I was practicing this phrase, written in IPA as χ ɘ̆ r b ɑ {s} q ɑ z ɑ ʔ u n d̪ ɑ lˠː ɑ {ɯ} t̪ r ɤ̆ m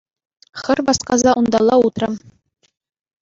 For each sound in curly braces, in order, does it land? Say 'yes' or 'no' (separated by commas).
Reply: yes, no